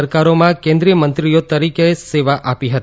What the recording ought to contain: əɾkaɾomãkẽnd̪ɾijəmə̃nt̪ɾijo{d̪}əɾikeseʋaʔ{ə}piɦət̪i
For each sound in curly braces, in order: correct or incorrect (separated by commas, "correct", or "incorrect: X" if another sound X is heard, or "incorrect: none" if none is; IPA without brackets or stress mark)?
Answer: incorrect: t̪, incorrect: a